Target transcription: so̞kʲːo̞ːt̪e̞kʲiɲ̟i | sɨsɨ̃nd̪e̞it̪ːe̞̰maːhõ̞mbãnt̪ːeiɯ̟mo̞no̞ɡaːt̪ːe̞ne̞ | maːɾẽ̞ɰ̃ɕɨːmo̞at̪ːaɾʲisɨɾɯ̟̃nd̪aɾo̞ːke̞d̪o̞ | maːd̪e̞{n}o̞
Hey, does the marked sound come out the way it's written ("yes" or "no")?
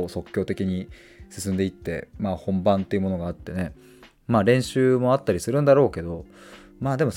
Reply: no